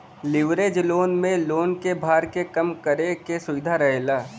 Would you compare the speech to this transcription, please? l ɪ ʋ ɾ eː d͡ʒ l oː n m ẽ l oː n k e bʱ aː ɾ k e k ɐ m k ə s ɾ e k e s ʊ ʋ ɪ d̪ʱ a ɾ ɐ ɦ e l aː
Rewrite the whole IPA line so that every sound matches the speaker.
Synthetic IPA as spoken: l ɪ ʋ ɾ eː d͡ʒ l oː n m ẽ l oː n k e bʱ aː ɾ k e k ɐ m k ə ɾ e k e s ʊ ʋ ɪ d̪ʱ a ɾ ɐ ɦ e l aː